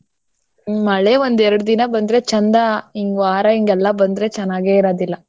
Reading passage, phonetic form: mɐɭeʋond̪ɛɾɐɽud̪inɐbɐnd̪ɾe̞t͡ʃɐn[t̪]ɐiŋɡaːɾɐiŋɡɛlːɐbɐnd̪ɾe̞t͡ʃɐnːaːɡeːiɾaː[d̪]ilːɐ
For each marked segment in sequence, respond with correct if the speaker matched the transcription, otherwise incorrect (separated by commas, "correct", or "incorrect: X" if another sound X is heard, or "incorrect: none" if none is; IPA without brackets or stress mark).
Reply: incorrect: d̪, correct